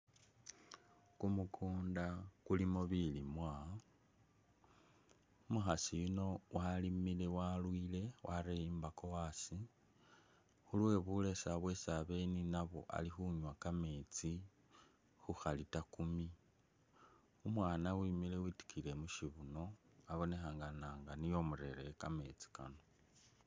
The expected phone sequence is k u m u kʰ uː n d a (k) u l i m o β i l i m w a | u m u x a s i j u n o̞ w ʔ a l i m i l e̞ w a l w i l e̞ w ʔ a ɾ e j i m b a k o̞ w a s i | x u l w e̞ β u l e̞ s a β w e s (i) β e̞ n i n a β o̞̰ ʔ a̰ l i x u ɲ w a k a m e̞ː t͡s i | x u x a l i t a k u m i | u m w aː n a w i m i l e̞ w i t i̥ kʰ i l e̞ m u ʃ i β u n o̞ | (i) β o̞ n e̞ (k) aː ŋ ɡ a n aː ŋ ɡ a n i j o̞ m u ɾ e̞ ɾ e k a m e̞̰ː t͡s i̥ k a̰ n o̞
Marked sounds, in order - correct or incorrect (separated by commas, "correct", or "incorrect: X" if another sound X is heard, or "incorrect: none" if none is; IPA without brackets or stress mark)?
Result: correct, incorrect: a, incorrect: a, incorrect: x